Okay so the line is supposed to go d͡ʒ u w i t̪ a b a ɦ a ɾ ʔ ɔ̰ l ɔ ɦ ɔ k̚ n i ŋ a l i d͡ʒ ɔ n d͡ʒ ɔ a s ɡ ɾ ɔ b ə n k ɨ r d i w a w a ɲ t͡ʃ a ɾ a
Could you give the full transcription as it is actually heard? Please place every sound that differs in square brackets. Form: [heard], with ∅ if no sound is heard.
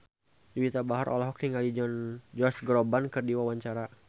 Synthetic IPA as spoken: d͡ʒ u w i t̪ a b a ɦ a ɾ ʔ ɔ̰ l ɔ ɦ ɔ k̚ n i ŋ a l i d͡ʒ ɔ n d͡ʒ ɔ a s ɡ ɾ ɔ b [a] n k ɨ r d i w a w a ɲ t͡ʃ a ɾ a